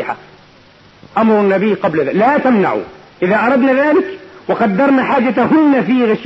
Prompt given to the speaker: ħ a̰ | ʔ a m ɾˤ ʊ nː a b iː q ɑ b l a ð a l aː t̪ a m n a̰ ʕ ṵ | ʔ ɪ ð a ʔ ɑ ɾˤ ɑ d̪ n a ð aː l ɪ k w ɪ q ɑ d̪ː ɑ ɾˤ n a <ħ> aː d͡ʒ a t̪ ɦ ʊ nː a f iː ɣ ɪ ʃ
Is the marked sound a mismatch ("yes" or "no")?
no